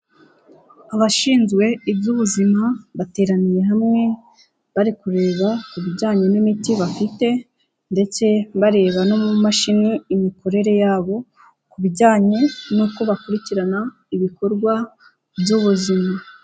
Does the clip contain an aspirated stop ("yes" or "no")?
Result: no